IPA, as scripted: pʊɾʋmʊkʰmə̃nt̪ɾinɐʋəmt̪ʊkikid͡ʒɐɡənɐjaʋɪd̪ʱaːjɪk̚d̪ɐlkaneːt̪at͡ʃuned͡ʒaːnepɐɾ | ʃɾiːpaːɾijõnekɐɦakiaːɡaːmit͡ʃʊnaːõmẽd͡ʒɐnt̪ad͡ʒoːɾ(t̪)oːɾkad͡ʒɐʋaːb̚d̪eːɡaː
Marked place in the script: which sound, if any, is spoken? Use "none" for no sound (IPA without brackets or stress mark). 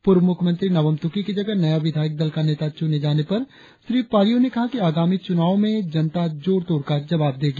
t̪